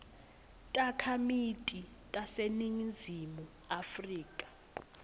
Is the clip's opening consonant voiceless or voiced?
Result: voiceless